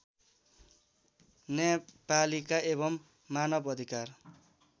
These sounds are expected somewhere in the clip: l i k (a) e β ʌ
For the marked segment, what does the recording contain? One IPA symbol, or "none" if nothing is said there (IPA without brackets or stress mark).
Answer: a